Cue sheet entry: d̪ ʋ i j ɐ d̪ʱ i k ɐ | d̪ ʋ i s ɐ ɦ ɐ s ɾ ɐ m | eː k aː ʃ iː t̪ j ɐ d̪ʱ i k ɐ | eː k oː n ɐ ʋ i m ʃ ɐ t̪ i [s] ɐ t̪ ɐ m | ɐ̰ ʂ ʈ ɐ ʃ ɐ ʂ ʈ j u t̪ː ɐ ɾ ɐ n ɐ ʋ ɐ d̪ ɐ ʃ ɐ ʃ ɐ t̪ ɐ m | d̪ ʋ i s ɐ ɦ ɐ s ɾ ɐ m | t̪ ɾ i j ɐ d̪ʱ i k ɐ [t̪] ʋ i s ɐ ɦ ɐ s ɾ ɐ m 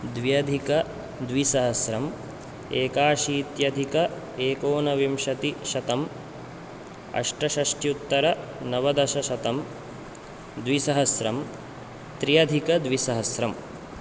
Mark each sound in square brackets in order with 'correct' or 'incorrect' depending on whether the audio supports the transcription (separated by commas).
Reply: incorrect, incorrect